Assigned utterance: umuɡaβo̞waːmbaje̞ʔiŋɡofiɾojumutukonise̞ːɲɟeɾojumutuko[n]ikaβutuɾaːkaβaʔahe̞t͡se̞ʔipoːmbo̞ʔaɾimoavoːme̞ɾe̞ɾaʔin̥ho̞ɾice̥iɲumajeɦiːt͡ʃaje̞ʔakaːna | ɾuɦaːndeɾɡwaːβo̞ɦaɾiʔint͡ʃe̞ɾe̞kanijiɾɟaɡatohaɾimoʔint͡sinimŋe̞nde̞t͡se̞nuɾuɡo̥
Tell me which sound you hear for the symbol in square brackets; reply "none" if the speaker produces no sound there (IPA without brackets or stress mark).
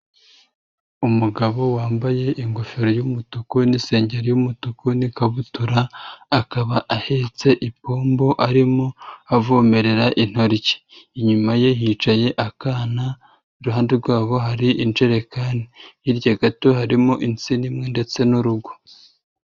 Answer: n